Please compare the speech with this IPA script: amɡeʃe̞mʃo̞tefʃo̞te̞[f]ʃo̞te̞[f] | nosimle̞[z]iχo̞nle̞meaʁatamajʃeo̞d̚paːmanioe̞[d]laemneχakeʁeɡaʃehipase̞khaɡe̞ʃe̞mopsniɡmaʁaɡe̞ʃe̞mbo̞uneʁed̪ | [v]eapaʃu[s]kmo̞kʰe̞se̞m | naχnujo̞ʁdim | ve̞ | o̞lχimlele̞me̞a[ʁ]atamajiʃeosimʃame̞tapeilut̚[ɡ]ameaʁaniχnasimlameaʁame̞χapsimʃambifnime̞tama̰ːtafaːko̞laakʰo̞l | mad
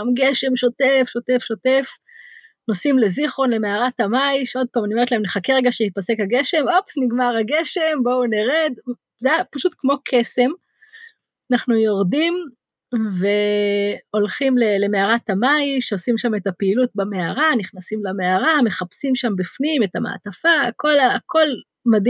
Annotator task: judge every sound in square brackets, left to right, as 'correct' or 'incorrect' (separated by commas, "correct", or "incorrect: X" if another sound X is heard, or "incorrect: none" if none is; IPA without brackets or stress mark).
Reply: correct, correct, correct, incorrect: t, incorrect: z, incorrect: t, correct, incorrect: b